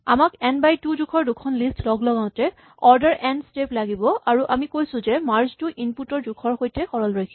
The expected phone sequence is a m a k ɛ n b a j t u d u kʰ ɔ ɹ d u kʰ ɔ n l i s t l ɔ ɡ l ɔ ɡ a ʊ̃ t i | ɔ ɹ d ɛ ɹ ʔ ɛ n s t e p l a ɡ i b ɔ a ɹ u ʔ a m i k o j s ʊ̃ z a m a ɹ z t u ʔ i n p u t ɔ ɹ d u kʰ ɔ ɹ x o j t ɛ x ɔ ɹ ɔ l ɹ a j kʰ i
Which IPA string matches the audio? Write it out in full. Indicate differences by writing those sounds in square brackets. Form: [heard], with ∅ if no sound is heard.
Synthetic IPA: a m a k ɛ n b a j t u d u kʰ ɔ ɹ d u kʰ ɔ n l i s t l ɔ ɡ l ɔ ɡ a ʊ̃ t [ɛ] | ɔ ɹ d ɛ ɹ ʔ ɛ n s t e p l a ɡ i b ɔ a ɹ u ʔ a m i k o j s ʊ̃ z [ɛ] m a ɹ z t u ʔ i n p u t ɔ ɹ d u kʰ ɔ ɹ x o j t ɛ x ɔ ɹ ɔ l ɹ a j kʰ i